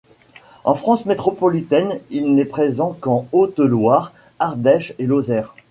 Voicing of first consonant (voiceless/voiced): voiceless